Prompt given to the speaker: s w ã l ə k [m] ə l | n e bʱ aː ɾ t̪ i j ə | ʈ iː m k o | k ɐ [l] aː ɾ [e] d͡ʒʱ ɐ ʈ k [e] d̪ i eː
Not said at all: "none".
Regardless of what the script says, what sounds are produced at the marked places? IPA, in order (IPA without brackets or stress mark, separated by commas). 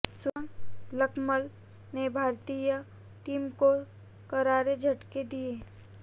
m, ɾ, e, e